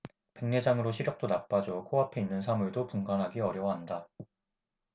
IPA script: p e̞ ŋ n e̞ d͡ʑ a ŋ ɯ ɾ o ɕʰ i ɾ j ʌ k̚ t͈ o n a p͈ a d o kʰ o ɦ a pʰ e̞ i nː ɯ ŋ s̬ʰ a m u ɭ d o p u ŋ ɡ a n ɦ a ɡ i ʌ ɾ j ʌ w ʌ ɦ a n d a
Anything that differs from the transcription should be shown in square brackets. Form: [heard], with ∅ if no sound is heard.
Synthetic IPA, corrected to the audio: p e̞ ŋ n e̞ d͡ʑ a ŋ ɯ ɾ o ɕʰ i ɾ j ʌ k̚ t͈ o n a p͈ a [d͡ʑ] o kʰ o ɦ a pʰ e̞ i nː ɯ [n] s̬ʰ a m u ɭ d o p u ŋ ɡ a n ɦ a ɡ i ʌ ɾ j ʌ w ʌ ɦ a n d a